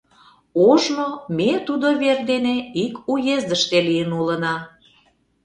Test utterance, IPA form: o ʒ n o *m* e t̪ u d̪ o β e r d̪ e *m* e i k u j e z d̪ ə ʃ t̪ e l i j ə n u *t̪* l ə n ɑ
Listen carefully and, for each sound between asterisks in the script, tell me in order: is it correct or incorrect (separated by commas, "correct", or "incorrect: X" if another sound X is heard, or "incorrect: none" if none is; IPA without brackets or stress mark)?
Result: correct, incorrect: n, incorrect: none